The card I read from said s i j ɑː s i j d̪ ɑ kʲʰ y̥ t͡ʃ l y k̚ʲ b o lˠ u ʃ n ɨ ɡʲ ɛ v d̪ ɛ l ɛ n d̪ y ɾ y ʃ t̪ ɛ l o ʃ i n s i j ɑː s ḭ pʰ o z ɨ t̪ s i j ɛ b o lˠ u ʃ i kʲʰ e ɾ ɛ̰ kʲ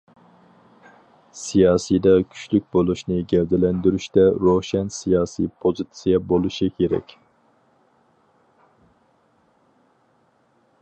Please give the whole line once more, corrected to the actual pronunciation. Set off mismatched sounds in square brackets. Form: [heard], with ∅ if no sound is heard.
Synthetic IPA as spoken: s i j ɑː s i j d̪ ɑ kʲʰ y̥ t͡ʃ l y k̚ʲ b o lˠ u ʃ n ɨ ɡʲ ɛ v d̪ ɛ l ɛ n d̪ y ɾ y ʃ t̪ ɛ [ɾ] o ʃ [ɛ] n s i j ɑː s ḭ pʰ o z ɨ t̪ s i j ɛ b o lˠ u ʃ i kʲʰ e ɾ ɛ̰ kʲ